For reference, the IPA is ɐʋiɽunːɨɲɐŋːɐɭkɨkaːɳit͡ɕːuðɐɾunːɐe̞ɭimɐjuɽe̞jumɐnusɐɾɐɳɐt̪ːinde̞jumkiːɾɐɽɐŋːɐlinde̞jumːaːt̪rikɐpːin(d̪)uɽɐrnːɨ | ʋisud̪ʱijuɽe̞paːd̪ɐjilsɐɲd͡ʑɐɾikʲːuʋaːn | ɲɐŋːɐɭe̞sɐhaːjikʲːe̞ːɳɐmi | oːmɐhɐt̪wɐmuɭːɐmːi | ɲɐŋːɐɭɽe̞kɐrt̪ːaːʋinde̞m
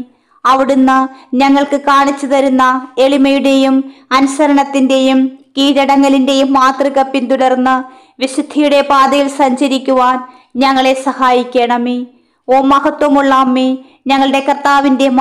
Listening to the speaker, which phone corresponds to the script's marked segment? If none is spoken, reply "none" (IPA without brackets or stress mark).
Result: t̪